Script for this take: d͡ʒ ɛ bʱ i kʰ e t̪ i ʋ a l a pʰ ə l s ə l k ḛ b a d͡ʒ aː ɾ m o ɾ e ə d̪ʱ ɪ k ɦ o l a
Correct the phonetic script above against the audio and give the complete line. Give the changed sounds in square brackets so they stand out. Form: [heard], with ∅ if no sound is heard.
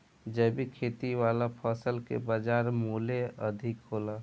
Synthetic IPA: d͡ʒ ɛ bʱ i kʰ e t̪ i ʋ a l a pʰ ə [∅] s ə l k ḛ b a d͡ʒ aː ɾ m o [l] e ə d̪ʱ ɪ k ɦ o l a